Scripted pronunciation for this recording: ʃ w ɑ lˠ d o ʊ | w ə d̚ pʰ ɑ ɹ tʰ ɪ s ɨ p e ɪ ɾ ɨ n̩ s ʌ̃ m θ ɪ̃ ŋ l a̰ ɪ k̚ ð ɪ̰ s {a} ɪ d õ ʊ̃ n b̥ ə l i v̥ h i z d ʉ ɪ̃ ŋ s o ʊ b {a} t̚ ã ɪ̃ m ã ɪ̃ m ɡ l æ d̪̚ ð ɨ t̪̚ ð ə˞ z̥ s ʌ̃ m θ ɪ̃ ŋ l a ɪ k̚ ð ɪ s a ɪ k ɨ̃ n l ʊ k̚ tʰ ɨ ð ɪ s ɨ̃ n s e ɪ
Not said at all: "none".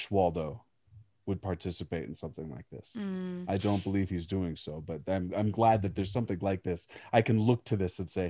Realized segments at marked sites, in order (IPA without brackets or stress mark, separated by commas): a, ʌ